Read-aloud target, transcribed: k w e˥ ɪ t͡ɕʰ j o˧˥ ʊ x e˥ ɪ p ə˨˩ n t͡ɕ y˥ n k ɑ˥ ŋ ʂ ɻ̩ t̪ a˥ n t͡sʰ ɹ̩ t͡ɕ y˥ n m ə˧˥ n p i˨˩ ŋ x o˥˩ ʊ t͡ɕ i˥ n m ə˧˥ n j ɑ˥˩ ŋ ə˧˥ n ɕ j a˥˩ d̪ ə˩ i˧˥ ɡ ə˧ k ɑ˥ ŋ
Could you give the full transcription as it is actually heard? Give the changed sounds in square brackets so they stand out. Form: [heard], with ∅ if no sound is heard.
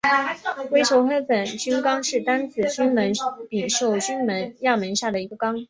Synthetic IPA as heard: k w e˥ ɪ t͡ɕʰ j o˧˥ ʊ x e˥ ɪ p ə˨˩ n t͡ɕ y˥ n k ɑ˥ ŋ ʂ ɻ̩ t̪ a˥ n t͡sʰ ɹ̩ t͡ɕ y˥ n m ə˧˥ n p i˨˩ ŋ [ʂ] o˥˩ ʊ t͡ɕ [y˥] n m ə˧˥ n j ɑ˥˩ [m] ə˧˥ n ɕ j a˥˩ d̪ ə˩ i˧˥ ɡ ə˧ k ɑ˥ ŋ

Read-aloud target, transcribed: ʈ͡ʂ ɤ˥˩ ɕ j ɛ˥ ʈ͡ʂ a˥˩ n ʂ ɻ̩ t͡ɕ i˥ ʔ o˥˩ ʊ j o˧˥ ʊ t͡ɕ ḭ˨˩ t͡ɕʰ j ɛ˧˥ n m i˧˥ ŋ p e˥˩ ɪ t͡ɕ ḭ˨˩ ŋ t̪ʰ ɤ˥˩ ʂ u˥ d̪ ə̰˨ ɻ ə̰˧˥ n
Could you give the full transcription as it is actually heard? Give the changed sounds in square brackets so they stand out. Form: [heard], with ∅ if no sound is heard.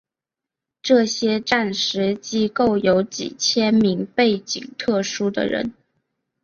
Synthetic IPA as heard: ʈ͡ʂ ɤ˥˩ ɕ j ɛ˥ ʈ͡ʂ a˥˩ n ʂ ɻ̩ t͡ɕ i˥ [k] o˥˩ ʊ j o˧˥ ʊ t͡ɕ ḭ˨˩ t͡ɕʰ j [ɛ˥] n m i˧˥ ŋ p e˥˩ ɪ t͡ɕ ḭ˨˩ ŋ t̪ʰ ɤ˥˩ ʂ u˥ d̪ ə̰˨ ɻ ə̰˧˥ n

